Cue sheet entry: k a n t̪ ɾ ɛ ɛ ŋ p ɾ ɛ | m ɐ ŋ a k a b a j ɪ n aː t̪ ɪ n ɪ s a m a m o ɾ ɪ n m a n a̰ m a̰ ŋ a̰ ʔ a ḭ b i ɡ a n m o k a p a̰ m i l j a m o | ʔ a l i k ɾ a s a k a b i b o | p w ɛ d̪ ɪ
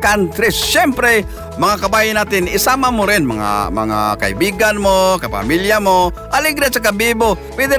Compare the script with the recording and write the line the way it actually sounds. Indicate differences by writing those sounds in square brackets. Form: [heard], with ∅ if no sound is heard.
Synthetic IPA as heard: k a n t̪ ɾ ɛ ɛ [m] p ɾ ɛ | m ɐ ŋ a k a b a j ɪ n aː t̪ ɪ n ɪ s a m a m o ɾ ɪ n m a [ŋ] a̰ m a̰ ŋ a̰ [k] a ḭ b i ɡ a n m o k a p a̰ m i l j a m o | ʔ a l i [ɡ] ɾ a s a k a b i b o | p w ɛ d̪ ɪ